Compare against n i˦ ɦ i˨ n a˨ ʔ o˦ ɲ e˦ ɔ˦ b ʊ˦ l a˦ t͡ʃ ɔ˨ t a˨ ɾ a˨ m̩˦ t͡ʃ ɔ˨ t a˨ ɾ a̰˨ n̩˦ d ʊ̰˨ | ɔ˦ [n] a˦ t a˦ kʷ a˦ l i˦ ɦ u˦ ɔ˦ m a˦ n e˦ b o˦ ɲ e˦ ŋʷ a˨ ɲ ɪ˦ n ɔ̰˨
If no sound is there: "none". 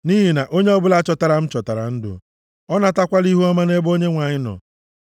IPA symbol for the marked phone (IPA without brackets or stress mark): n